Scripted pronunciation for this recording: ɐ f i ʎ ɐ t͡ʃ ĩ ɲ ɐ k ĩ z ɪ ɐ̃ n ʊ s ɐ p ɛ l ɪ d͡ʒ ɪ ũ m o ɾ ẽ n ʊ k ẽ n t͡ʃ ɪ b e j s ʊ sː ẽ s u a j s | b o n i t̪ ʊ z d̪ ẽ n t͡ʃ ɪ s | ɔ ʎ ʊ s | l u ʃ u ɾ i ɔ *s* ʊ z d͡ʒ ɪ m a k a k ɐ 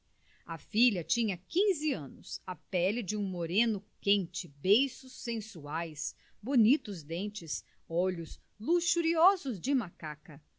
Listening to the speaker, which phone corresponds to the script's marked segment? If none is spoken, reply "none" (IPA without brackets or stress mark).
z